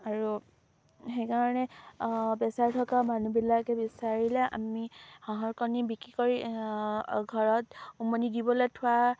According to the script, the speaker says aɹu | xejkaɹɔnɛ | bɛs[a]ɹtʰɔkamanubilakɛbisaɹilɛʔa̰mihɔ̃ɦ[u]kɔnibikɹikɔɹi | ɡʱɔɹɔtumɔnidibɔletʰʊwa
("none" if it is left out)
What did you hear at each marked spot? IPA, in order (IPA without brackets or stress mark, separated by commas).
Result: a, ɔ